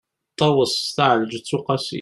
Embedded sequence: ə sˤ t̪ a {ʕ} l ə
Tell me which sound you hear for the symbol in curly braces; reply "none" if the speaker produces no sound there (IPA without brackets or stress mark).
ʕ